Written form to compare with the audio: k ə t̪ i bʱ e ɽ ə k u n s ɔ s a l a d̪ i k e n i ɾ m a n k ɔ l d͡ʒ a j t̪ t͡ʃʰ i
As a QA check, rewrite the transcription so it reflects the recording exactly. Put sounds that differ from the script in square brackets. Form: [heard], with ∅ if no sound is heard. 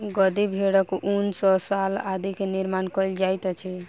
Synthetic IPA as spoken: [ɡ] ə [d̪] i bʱ e ɽ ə k u n s ɔ s a l a d̪ i k e n i ɾ m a n k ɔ l d͡ʒ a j t̪ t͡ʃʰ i